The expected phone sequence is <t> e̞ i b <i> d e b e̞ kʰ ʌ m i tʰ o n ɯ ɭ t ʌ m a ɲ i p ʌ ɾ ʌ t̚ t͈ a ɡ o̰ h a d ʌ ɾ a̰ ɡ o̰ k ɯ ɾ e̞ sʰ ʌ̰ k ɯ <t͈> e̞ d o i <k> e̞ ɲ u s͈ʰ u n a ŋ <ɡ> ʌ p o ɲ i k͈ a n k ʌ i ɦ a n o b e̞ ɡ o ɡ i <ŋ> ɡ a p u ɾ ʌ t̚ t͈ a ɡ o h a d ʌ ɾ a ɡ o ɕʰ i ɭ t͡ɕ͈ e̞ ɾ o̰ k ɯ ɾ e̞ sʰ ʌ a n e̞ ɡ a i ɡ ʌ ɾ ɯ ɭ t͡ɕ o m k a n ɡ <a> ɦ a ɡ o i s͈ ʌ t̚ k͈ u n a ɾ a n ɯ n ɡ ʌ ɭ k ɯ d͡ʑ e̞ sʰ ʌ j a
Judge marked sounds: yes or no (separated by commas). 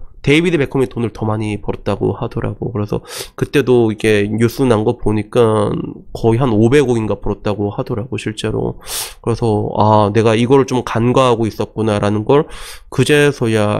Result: yes, yes, yes, no, yes, no, yes